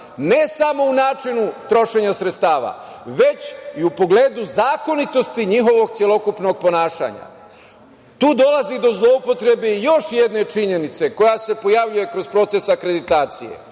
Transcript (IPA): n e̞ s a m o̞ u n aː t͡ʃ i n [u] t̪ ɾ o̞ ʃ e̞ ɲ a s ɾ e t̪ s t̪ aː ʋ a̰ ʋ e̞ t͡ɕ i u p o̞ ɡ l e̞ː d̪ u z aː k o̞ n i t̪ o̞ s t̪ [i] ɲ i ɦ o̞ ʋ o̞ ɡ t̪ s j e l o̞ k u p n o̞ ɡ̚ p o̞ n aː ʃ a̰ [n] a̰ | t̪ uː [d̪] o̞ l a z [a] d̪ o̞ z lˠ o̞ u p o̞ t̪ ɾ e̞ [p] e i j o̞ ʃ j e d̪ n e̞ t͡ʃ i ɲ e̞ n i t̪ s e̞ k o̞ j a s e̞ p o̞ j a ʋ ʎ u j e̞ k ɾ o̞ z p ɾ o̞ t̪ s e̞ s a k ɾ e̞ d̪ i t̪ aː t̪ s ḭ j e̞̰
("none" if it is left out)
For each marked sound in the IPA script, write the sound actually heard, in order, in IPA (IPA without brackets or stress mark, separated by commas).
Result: u, i, ɲ, d̪, i, b